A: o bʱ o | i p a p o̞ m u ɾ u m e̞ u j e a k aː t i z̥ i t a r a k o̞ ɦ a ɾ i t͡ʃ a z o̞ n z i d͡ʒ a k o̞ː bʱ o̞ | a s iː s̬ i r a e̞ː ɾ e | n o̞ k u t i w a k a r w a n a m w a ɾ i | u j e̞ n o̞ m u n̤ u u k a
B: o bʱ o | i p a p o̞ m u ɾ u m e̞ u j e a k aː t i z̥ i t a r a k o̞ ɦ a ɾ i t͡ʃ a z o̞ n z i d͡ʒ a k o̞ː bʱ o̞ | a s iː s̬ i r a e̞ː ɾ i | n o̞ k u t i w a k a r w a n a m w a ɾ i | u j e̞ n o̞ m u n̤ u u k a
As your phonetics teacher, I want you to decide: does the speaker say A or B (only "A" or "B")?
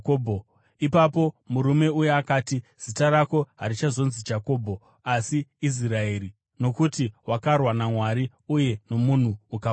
B